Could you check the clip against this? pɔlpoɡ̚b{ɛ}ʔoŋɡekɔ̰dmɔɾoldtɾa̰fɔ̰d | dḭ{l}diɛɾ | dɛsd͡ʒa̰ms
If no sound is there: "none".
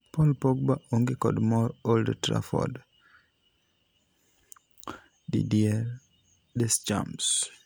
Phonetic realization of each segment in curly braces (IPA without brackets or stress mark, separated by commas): a, none